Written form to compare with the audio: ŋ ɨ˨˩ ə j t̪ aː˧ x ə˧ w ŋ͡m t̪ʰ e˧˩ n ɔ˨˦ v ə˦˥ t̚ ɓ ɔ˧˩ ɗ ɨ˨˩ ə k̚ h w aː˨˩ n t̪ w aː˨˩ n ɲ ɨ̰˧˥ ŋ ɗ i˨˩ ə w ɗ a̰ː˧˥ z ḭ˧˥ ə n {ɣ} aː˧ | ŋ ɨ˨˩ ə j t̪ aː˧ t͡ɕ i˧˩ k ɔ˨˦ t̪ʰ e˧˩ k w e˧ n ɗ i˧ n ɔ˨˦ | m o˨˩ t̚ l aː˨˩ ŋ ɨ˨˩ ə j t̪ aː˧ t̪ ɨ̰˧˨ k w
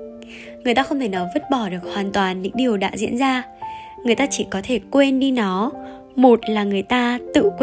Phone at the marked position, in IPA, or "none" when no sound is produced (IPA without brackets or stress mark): z